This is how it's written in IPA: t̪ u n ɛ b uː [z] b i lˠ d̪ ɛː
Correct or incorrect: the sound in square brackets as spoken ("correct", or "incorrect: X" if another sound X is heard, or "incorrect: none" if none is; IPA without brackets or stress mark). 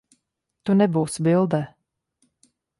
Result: incorrect: s